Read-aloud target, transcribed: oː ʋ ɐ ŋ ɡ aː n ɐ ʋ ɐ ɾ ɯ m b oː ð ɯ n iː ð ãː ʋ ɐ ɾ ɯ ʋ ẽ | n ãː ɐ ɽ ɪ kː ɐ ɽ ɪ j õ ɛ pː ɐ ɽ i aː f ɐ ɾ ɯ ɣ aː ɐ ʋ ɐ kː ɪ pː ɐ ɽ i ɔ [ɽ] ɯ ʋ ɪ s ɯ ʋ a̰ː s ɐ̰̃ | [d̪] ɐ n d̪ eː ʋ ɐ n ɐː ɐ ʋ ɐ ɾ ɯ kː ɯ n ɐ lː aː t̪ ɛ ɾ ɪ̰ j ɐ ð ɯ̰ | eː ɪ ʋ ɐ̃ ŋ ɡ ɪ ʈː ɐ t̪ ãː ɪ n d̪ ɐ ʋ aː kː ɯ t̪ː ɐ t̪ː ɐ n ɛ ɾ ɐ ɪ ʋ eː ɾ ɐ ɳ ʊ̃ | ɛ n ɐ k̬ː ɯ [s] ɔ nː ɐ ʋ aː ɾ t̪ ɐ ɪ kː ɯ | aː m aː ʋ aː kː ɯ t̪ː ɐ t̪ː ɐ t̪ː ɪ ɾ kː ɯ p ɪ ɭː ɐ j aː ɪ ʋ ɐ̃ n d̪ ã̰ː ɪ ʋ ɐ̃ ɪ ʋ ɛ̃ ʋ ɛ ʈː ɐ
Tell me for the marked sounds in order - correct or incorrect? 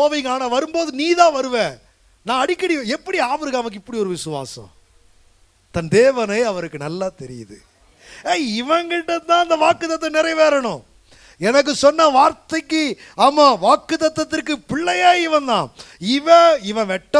incorrect, incorrect, correct

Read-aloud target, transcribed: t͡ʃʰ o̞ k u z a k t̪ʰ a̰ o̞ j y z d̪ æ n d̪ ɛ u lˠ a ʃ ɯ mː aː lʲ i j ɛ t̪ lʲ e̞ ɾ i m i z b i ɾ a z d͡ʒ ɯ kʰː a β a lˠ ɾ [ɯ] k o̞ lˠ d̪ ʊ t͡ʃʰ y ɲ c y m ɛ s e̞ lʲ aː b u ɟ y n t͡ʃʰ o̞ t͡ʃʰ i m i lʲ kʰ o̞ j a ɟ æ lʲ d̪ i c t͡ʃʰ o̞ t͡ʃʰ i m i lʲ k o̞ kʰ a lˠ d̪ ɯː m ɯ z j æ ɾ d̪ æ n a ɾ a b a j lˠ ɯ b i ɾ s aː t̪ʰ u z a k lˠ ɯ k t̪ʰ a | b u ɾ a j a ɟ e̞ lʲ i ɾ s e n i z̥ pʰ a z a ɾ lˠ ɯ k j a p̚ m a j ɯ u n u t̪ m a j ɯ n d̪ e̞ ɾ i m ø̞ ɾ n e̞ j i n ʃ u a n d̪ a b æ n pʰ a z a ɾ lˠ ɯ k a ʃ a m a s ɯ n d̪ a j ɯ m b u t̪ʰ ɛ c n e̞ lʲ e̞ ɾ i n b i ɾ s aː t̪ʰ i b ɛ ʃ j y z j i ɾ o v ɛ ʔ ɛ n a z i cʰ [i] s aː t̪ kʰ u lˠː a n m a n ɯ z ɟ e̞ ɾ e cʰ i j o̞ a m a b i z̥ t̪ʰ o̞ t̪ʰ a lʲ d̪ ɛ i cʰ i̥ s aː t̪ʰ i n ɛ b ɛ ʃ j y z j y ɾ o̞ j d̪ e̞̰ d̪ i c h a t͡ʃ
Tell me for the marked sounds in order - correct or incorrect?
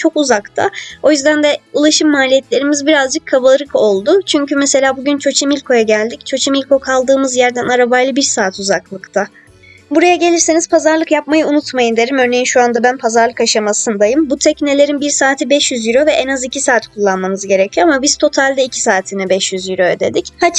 correct, correct

